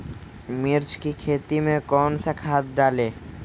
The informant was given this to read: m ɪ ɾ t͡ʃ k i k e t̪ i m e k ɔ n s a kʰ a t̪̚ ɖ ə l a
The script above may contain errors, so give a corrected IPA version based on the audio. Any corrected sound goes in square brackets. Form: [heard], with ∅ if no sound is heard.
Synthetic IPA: m [i] ɾ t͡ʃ k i [kʰ] e t̪ i m e k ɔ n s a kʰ a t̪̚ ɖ [a] l [e]